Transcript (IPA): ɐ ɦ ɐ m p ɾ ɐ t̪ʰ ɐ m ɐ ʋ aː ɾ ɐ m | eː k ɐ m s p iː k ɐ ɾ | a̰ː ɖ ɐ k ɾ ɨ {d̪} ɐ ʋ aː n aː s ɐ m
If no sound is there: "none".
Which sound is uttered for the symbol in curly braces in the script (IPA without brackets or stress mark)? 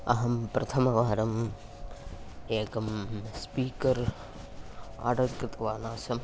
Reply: t̪